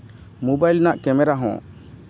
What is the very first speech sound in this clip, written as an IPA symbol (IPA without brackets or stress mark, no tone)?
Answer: m